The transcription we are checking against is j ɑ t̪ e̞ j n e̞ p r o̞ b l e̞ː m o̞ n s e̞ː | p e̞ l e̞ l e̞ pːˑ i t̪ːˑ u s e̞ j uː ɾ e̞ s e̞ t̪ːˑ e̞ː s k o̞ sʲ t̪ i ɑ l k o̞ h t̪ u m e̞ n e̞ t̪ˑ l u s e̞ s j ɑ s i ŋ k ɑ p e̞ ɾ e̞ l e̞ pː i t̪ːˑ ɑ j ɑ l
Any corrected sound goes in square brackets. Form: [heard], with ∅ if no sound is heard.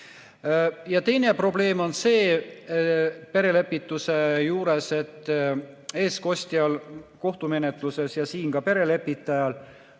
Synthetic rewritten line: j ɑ t̪ e̞ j n e̞ p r o̞ b l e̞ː m o̞ n s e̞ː | p e̞ [ɾ] e̞ l e̞ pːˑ i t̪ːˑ u s e̞ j uː ɾ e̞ s e̞ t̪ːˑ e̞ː s k o̞ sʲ t̪ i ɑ l k o̞ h t̪ u m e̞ n e̞ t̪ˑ l u s e̞ s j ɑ s [iː] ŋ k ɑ p e̞ ɾ e̞ l e̞ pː i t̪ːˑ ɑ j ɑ l